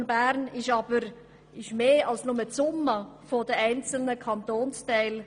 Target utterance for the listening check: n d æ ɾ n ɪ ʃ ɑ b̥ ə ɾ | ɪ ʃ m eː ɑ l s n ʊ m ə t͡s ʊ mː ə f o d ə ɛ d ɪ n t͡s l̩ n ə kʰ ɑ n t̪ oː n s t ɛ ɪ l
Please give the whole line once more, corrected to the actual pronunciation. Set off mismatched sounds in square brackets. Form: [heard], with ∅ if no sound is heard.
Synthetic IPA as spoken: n [b] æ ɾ n ɪ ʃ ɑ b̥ ə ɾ | ɪ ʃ m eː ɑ l s n ʊ m ə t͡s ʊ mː ə f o d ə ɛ [∅] ɪ n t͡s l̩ n ə kʰ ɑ n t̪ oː n s t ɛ ɪ l